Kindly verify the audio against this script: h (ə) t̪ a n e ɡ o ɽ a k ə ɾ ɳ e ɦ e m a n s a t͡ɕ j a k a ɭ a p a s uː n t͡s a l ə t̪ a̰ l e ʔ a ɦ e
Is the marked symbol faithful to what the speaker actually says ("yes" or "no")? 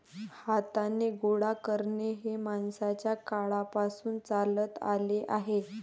no